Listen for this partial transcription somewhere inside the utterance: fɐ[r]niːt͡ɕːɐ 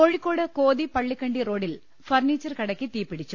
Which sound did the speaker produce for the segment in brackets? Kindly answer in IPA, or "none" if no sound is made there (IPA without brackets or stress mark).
r